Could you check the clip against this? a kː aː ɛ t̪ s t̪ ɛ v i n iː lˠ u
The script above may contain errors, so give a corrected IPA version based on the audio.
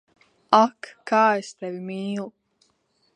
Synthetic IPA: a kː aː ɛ s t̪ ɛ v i m iː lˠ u